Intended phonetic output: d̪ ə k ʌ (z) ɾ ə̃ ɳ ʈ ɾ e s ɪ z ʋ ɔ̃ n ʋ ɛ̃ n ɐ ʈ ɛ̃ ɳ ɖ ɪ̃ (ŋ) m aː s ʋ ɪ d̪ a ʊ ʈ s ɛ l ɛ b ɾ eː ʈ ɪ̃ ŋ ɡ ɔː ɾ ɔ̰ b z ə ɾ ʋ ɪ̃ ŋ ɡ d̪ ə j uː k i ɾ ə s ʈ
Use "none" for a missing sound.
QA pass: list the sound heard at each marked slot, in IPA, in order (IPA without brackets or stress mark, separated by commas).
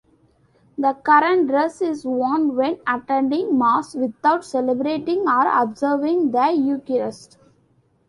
none, ŋ